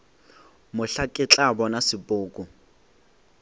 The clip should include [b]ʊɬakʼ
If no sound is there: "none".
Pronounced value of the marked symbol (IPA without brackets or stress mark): m